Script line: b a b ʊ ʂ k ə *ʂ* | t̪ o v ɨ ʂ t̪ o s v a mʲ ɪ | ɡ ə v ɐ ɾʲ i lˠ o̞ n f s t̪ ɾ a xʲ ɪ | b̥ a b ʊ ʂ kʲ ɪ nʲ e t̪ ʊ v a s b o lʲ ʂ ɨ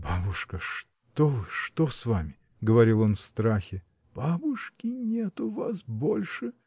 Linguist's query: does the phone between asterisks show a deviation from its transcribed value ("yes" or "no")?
no